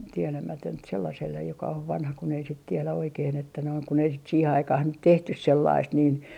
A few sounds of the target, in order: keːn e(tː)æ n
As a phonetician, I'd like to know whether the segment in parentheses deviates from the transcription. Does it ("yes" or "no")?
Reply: no